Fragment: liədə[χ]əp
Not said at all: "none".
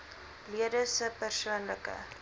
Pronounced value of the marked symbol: s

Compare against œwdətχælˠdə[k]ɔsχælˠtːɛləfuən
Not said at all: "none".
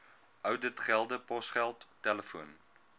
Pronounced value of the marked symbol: p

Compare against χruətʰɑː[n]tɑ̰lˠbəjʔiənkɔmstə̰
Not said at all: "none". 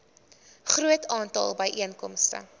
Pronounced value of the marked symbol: n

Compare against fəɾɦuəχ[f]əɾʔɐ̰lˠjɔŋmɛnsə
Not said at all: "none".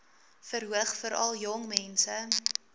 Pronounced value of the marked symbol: f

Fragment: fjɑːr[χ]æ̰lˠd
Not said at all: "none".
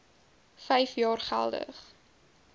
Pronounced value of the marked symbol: χ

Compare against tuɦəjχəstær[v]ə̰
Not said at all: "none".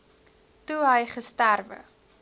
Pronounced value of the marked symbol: v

